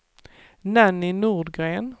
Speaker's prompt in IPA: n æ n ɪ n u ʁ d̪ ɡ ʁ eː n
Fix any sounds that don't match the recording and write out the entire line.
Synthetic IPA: n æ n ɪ n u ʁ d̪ ɡ ʁ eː n

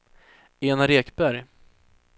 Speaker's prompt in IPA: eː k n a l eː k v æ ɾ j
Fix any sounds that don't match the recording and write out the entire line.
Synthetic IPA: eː n a ɾ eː k b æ ɾ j

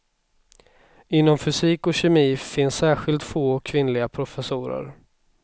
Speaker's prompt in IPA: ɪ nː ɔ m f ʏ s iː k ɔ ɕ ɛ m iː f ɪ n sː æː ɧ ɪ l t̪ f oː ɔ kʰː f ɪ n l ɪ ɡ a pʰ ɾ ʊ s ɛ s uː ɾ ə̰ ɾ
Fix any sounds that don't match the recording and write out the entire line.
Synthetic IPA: ɪ nː ɔ m f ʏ s iː k ɔ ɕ ɛ m iː f ɪ n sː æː ɧ ɪ l t̪ f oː ɔ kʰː v ɪ n l ɪ ɡ a pʰ ɾ ʊ f ɛ s uː ɾ ə̰ ɾ

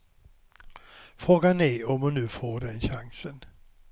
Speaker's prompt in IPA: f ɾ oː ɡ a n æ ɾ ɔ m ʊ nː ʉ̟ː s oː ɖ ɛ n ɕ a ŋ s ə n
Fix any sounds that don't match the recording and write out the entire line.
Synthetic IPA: f ɾ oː ɡ a n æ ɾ ɔ m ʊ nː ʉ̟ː f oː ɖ ɛ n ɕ a ŋ s ə n

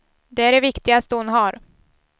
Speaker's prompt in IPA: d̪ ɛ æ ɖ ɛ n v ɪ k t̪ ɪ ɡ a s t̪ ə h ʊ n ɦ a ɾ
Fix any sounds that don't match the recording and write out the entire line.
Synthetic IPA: d̪ ɛ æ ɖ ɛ v ɪ k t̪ ɪ ɡ a s t̪ ə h ʊ n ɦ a ɾ

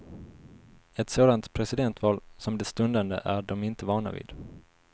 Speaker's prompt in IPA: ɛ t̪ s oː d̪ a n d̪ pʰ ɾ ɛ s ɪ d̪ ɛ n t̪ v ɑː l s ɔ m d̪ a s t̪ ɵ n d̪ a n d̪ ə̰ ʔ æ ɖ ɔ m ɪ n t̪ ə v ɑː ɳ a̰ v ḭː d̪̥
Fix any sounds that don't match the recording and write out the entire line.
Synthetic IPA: ɛ t̪ s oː d̪ a n t̪ pʰ ɾ ɛ s ɪ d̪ ɛ n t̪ v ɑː l s ɔ m d̪ ɛ s t̪ ɵ n d̪ a n d̪ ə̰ ʔ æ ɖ ɔ m ɪ n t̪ ə v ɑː ɳ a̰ v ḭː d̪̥

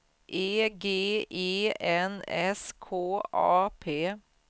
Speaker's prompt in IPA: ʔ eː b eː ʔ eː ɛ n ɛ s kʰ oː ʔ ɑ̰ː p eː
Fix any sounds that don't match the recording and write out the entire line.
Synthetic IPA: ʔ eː ɡ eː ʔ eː ɛ n ɛ s kʰ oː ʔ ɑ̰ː pʰ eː

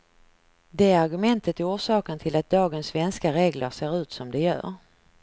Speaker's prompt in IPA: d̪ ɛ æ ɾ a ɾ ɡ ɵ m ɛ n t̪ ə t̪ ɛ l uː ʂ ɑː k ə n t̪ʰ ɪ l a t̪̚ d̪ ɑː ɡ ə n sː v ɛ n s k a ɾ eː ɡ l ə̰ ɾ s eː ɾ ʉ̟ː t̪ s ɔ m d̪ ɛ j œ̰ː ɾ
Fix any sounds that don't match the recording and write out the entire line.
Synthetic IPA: d̪ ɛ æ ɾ a ɾ ɡ ɵ m ɛ n t̪ ə t̪ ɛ uː ʂ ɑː k ə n t̪ʰ ɪ l a t̪̚ d̪ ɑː ɡ ə n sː v ɛ n s k a ɾ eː ɡ l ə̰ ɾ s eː ɾ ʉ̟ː t̪ s ɔ m d̪ ɛ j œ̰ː ɾ

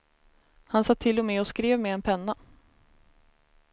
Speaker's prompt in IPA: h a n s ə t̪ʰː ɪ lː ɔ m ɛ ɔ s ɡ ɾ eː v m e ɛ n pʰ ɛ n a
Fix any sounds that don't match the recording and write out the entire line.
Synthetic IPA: h a n s a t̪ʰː ɪ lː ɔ m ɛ ɔ s k ɾ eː v m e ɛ n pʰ ɛ nː a

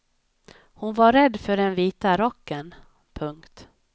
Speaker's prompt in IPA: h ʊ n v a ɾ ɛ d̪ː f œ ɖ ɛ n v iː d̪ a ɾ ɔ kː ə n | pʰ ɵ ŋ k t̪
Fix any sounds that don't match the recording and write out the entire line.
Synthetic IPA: h ʊ n v a ɾ ɛ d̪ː f œ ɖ ɛ n v iː t̪ a ɾ ɔ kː ə n | pʰ ɵ ŋ k t̪

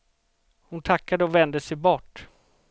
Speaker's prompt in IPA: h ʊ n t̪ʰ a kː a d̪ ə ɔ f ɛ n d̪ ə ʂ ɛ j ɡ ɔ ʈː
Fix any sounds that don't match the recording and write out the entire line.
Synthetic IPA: h ʊ n t̪ʰ a kː a d̪ ə ɔ v ɛ n d̪ ə s ɛ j b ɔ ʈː

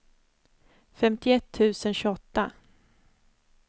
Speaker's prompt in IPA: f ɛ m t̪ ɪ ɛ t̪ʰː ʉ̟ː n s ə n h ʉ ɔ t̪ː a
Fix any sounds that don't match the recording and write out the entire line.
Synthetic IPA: f ɛ m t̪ ɪ ɛ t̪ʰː ʉ̟ː s ə n ɕ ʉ ɔ t̪ː a

